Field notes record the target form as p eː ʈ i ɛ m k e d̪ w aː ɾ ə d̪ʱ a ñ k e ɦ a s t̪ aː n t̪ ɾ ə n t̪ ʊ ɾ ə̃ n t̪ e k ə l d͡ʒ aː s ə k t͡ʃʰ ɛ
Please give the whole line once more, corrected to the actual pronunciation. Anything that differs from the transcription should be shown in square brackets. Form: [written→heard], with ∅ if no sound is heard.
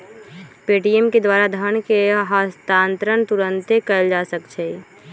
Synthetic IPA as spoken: p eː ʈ i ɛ m k e d̪ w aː ɾ [ə→a] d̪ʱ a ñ k e ɦ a s t̪ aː n t̪ ɾ ə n t̪ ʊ ɾ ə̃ n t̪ e k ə l d͡ʒ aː s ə k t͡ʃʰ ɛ